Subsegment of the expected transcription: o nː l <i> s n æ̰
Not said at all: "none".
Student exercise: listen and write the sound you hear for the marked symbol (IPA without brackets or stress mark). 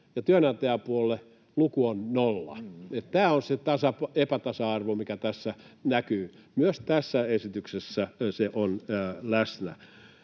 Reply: æ